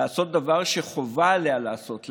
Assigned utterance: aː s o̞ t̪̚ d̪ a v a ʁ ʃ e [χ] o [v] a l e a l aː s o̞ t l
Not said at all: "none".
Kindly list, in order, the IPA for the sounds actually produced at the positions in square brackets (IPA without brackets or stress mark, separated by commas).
χ, v